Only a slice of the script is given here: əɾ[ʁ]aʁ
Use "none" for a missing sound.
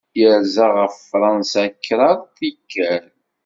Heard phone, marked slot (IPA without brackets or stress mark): z